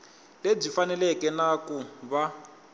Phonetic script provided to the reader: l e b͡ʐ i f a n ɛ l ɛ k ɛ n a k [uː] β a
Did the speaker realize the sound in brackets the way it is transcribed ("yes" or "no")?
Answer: no